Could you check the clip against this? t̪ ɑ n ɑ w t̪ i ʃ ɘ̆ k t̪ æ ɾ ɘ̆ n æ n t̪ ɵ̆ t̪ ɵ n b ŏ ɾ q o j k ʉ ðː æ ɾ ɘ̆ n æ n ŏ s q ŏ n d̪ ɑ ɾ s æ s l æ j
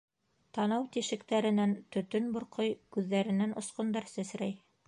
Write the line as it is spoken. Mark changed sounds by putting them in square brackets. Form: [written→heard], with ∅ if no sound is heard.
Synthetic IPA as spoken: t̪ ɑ n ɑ w t̪ i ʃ ɘ̆ k t̪ æ ɾ ɘ̆ n æ n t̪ ɵ̆ t̪ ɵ n b ŏ ɾ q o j k ʉ ðː æ ɾ ɘ̆ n æ n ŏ s q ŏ n d̪ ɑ ɾ s æ s [l→ɾ] æ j